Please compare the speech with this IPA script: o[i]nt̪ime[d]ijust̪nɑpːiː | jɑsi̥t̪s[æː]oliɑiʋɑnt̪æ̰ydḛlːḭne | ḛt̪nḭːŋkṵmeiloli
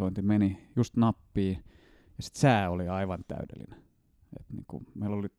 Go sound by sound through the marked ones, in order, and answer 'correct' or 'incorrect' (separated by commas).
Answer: correct, incorrect, correct